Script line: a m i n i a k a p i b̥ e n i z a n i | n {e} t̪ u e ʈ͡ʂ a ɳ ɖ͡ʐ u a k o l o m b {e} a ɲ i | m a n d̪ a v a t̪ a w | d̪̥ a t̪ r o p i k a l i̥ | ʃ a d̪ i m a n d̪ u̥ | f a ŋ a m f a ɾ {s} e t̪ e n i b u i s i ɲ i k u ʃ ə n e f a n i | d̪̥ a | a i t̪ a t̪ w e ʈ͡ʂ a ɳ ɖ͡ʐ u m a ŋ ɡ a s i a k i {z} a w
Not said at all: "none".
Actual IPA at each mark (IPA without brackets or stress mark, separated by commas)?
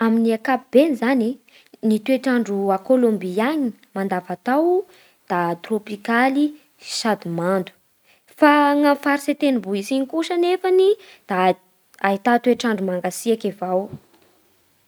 i, i, s, v